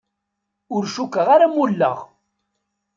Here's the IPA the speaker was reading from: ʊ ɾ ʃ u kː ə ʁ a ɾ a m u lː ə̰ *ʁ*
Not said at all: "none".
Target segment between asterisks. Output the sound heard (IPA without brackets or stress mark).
ʁ